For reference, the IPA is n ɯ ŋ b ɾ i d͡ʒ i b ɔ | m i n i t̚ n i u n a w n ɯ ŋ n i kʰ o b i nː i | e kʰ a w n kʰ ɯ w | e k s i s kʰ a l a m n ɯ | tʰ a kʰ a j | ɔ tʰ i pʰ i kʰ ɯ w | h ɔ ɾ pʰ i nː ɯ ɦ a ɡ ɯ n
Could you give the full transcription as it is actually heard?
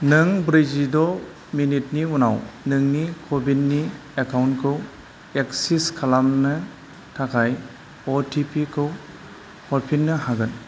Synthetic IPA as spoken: n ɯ ŋ b ɾ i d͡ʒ i d ɔ | m i n i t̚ n i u n a w n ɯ ŋ n i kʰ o b i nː i | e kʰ a w n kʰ ɯ w | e k s i s kʰ a l a m n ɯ | tʰ a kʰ a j | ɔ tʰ i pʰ i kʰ ɯ w | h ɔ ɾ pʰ i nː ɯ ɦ a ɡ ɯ n

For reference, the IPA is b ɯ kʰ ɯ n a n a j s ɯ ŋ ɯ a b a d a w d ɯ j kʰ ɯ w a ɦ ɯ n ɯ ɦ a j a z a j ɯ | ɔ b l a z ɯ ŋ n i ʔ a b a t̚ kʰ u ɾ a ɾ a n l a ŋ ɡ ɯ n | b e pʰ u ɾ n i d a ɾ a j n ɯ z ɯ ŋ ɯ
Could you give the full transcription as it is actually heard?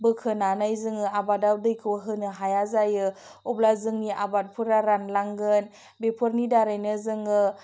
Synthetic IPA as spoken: b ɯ kʰ ɯ n a n a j z ɯ ŋ ɯ a b a d a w d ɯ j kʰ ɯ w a ɦ ɯ n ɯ ɦ a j a z a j ɯ | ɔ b l a z ɯ ŋ n i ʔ a b a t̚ pʰ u ɾ a ɾ a n l a ŋ ɡ ɯ n | b e pʰ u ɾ n i d a ɾ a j n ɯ z ɯ ŋ ɯ

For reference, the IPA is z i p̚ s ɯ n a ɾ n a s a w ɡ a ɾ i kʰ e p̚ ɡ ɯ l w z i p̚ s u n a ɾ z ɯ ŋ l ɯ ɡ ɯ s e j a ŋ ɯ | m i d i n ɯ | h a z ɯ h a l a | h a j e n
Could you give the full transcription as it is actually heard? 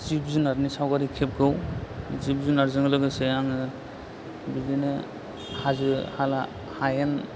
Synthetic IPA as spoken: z i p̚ z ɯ n a ɾ n i s a w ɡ a ɾ i kʰ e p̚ ɡ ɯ w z i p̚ z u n a ɾ z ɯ ŋ l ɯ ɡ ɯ s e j a ŋ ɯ | b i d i n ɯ | h a z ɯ h a l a | h a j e n

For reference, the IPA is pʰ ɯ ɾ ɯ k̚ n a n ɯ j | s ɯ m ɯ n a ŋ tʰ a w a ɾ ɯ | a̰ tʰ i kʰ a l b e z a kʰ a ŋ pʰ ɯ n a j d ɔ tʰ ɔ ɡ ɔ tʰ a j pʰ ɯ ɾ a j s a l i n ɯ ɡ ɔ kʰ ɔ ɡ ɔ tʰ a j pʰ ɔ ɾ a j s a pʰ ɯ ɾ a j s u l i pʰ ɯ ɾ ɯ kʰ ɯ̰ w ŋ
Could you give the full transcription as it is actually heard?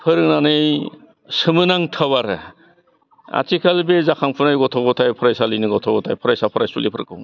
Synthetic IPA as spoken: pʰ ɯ ɾ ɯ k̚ n a n ɯ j | s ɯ m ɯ n a ŋ tʰ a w a ɾ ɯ | a̰ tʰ i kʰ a l b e z a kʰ a ŋ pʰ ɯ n a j ɡ ɔ tʰ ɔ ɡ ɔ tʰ a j pʰ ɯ ɾ a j s a l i n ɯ ɡ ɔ tʰ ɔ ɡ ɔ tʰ a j pʰ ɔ ɾ a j s a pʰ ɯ ɾ a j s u l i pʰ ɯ ɾ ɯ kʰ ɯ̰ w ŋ

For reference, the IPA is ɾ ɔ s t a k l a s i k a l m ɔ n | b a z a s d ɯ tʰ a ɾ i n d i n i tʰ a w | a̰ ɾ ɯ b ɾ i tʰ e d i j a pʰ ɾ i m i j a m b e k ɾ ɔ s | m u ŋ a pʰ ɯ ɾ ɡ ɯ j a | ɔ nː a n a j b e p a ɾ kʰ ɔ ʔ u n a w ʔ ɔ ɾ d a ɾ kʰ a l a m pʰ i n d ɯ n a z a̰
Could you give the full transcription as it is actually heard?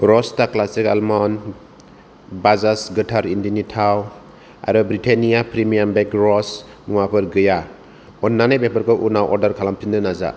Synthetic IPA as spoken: ɾ ɔ s t a k l a s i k a l m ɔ n | b a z a s ɡ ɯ tʰ a ɾ i n d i n i tʰ a w | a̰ ɾ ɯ b ɾ i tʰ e n i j a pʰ ɾ i m i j a m b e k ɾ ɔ s | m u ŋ a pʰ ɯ ɾ ɡ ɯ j a | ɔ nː a n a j b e p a ɾ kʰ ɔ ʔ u n a w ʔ ɔ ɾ d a ɾ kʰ a l a m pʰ i n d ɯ n a z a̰

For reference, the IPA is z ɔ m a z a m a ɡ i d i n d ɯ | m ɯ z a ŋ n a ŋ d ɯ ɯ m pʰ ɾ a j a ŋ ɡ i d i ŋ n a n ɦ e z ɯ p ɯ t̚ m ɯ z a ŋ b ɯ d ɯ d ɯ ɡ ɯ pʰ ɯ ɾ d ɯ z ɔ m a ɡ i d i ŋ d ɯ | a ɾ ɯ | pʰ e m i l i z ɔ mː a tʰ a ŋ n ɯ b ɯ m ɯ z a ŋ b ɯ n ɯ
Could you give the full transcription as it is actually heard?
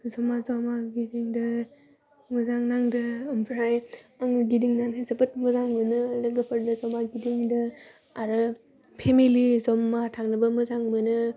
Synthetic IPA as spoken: z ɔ m a z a m a ɡ i d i ŋ d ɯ | m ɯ z a ŋ n a ŋ d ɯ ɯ m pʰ ɾ a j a ŋ ɡ i d i ŋ n a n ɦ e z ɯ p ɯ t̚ m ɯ z a ŋ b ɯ n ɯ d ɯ ɡ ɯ pʰ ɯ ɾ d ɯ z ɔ m a ɡ i d i ŋ d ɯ | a ɾ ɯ | pʰ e m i l i z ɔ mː a tʰ a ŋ n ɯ b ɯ m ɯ z a ŋ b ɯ n ɯ

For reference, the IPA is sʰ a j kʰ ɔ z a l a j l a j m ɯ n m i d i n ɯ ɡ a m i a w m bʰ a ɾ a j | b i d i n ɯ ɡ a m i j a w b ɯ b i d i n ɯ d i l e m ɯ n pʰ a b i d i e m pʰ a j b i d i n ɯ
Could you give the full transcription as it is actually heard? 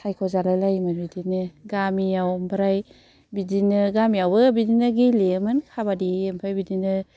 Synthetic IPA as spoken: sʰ a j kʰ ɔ z a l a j l a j m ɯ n b i d i n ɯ ɡ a m i a w m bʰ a ɾ a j | b i d i n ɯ ɡ a m i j a w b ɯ b i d i n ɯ ɡ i l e m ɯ n kʰ a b a d i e m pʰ a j b i d i n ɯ

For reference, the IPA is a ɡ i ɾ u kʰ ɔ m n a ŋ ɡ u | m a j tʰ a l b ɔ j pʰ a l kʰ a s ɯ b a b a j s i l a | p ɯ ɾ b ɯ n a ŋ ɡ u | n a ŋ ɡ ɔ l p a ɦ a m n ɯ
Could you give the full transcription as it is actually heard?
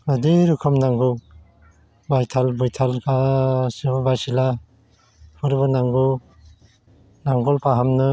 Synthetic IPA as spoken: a d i ɾ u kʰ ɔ m n a ŋ ɡ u | b a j tʰ a l b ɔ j tʰ a l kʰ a s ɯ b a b a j s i l a | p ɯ ɾ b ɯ n a ŋ ɡ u | n a ŋ ɡ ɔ l p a ɦ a m n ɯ

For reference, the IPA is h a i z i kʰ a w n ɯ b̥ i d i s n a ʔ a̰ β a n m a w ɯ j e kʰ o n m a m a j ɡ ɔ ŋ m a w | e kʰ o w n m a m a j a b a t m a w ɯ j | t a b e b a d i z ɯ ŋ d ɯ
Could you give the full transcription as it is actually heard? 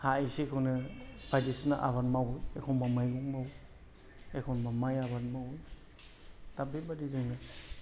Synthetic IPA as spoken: h a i s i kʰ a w n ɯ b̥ a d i s n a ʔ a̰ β a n m a w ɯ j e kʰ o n m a m a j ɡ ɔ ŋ m a w | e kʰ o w n m a m a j a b a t m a w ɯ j | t a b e b a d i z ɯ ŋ n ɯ

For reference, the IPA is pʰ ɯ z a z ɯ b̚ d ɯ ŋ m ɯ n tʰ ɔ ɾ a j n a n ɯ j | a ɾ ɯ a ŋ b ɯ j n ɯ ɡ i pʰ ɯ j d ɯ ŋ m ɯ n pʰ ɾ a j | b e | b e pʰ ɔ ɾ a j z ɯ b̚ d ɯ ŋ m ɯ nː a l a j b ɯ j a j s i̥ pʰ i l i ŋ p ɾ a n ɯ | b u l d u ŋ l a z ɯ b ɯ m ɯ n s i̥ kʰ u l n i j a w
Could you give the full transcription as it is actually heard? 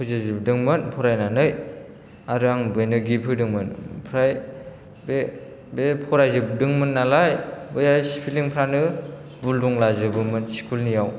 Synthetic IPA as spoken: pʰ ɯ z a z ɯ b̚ d ɯ ŋ m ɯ n pʰ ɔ ɾ a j n a n ɯ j | a ɾ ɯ a ŋ b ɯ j n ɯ ɡ i pʰ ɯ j d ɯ ŋ m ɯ n pʰ ɾ a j | b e | b e pʰ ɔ ɾ a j z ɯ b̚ d ɯ ŋ m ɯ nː a l a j b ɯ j a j s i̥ pʰ i l i ŋ pʰ ɾ a n ɯ | b u l d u ŋ l a z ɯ b ɯ m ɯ n s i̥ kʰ u l n i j a w

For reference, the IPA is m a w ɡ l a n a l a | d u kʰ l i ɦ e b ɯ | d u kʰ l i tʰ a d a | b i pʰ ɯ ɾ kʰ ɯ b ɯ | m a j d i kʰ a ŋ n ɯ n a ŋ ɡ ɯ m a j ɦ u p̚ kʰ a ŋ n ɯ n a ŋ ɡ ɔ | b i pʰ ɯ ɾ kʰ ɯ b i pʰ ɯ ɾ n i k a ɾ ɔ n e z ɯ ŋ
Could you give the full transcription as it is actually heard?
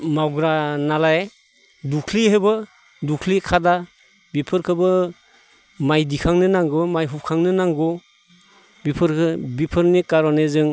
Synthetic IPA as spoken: m a w ɡ ɾ a n a l a | d u kʰ l i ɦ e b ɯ | d u kʰ l i kʰ a d a | b i pʰ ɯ ɾ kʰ ɯ b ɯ | m a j d i kʰ a ŋ n ɯ n a ŋ ɡ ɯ m a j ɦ u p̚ kʰ a ŋ n ɯ n a ŋ ɡ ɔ | b i pʰ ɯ ɾ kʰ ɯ b i pʰ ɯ ɾ n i k a ɾ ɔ n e z ɯ ŋ

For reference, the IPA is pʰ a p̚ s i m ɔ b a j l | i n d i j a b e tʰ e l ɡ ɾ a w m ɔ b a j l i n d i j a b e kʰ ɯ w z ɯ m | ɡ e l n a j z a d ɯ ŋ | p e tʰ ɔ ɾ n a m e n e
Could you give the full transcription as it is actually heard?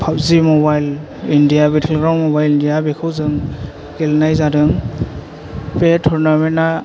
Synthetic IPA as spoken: pʰ a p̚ z i m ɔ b a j l | i n d i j a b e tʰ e l ɡ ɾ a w m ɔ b a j l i n d i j a b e kʰ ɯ w z ɯ ŋ | ɡ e l n a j z a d ɯ ŋ | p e tʰ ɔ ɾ n a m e n a

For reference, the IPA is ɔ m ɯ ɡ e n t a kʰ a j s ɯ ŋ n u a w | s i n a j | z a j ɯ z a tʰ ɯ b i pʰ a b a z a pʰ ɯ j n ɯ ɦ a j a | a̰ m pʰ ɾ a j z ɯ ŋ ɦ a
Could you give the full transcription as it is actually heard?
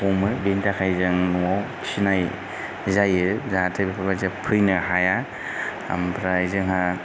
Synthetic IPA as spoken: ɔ m ɯ b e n t a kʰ a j z ɯ ŋ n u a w | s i n a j | z a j ɯ z a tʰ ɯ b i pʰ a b a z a pʰ ɯ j n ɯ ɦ a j a | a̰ m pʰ ɾ a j z ɯ ŋ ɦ a

